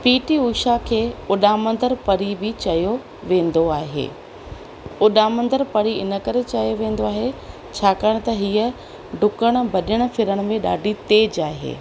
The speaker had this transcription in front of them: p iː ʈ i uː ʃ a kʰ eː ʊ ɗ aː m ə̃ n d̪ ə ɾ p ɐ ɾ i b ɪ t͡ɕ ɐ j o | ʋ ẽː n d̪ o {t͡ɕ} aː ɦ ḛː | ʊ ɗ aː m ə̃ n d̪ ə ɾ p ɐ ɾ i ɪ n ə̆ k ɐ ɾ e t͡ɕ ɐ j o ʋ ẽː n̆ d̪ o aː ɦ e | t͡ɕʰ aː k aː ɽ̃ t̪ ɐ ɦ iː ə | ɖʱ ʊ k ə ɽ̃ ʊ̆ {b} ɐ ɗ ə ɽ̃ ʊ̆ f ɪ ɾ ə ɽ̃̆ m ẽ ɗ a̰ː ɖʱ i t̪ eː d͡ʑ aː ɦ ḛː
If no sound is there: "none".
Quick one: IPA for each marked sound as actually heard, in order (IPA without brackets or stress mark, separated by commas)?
none, b